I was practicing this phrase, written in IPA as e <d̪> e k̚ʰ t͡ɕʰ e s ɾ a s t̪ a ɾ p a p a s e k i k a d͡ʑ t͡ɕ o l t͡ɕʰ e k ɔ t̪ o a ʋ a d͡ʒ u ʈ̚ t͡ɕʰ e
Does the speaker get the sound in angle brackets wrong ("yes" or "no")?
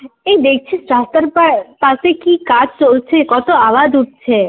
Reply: no